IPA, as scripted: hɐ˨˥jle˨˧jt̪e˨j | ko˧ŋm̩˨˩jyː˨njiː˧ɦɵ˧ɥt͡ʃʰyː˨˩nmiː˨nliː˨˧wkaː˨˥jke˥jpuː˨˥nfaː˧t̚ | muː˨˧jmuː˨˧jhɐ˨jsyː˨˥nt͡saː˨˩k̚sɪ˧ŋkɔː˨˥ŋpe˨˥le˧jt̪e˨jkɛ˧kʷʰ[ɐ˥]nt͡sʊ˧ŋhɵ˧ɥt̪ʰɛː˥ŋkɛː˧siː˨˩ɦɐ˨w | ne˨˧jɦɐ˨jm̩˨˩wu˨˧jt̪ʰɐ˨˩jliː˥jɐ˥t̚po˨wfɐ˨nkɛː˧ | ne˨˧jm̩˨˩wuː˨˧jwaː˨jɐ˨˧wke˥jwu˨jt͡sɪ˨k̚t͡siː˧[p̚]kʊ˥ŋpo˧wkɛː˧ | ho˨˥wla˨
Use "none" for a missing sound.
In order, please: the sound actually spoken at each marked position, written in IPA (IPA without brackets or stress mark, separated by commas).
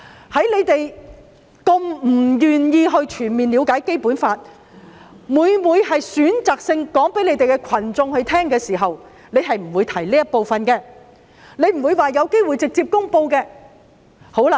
ɐ˨˩, p̚